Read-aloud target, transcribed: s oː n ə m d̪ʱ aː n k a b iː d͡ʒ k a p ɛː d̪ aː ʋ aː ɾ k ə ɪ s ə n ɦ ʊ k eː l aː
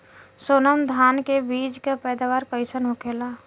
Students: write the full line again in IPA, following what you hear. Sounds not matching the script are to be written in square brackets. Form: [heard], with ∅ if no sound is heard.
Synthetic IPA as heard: s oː n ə m d̪ʱ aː n k [e] b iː d͡ʒ k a p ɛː d̪ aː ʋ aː ɾ k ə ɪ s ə n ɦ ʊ k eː l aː